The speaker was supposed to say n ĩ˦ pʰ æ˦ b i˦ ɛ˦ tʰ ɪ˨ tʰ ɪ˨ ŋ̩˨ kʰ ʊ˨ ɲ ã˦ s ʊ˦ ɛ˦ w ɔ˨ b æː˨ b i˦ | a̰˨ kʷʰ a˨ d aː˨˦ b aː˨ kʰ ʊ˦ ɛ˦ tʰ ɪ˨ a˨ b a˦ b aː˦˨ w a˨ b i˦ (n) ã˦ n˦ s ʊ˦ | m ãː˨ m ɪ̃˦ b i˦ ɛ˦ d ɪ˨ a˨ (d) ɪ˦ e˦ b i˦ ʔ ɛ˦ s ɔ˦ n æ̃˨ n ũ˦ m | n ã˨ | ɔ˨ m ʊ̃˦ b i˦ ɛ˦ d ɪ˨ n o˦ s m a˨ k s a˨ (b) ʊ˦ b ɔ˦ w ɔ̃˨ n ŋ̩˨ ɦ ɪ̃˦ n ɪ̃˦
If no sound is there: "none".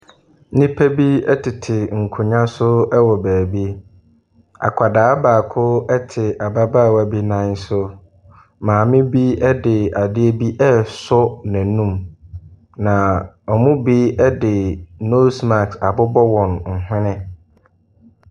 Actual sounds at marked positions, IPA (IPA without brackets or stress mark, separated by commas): n, d, b